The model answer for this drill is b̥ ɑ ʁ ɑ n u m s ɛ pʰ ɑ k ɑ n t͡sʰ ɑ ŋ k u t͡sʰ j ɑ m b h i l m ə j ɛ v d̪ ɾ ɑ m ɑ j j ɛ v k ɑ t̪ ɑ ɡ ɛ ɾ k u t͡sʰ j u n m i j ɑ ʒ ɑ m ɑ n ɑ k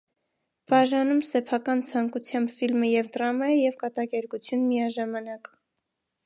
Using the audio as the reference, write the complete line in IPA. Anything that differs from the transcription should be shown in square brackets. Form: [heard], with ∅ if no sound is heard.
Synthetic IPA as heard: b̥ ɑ [ʒ] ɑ n u m s ɛ pʰ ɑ k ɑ n t͡sʰ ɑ ŋ k u t͡sʰ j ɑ m b [f] i l m ə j ɛ v d̪ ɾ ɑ m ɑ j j ɛ v k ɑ t̪ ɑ [k] ɛ ɾ k u t͡sʰ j u n m i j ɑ ʒ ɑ m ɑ n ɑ k